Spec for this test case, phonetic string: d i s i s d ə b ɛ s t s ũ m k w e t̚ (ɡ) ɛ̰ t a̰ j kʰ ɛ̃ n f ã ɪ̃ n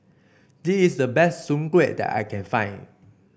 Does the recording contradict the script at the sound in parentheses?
yes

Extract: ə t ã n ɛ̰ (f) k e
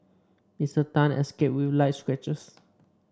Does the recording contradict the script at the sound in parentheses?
yes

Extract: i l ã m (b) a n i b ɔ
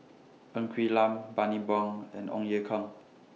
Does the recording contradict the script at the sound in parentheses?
no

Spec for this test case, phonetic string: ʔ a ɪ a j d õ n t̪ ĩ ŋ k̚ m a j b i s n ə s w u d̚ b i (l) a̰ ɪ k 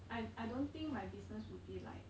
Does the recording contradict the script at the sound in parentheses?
no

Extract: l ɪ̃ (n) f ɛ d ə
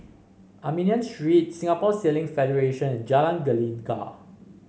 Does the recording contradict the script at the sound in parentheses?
yes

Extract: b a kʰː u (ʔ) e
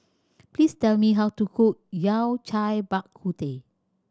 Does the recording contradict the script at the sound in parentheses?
yes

